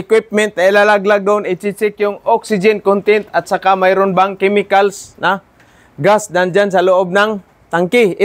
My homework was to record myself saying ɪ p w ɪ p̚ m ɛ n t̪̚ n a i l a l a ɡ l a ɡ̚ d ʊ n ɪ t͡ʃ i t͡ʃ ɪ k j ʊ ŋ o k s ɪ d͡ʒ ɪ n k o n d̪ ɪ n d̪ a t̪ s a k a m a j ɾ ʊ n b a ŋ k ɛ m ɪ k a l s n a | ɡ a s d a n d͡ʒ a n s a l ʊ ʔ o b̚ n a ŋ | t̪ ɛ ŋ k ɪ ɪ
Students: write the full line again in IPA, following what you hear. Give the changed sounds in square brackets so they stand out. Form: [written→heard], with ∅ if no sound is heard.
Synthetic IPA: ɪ [p→k] w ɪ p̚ m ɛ n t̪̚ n a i l a l a ɡ l a ɡ̚ d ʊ n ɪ t͡ʃ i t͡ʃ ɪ k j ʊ ŋ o k s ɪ d͡ʒ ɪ n k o n [d̪→t̪] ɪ n [d̪→t̪] a t̪ s a k a m a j ɾ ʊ n b a ŋ k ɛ m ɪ k a l s n a | ɡ a s d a n d͡ʒ a n s a l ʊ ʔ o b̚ n a ŋ | t̪ [ɛ→a] ŋ k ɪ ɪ